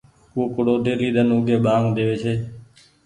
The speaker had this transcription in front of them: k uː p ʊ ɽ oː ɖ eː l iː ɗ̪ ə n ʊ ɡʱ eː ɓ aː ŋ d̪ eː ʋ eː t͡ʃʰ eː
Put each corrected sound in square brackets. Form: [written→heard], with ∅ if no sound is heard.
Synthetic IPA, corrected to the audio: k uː [p→k] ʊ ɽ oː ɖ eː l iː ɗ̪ ə n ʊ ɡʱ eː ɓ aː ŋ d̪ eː ʋ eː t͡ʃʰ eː